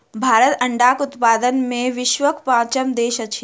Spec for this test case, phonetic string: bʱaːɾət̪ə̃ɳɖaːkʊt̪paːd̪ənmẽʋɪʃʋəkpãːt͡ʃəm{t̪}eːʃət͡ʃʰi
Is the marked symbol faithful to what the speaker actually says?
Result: no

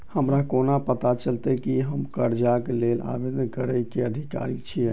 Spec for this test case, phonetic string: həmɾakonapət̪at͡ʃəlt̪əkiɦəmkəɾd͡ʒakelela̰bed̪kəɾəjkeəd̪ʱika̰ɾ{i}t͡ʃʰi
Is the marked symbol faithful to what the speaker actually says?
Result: yes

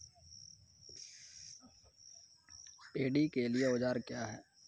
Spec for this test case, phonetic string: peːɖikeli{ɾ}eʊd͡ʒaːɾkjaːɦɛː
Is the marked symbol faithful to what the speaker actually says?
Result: no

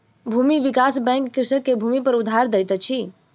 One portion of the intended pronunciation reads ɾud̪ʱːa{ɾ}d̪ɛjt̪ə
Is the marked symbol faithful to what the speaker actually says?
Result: yes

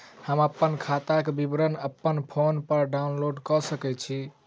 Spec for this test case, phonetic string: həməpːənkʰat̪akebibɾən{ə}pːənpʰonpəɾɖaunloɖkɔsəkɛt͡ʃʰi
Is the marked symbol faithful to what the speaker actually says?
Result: yes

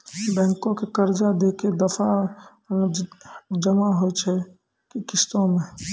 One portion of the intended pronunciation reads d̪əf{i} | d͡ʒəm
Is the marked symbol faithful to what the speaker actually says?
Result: no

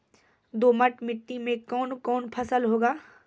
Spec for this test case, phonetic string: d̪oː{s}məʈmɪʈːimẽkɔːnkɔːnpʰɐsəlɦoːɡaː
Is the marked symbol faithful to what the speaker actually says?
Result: no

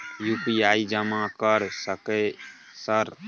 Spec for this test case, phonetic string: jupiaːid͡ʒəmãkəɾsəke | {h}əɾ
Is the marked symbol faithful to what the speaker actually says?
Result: no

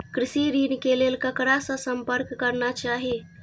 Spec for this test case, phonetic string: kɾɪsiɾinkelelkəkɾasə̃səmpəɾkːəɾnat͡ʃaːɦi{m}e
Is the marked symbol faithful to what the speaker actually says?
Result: no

